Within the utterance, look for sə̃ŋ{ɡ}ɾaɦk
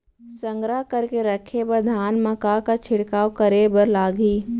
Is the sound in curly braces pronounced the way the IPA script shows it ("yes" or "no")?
yes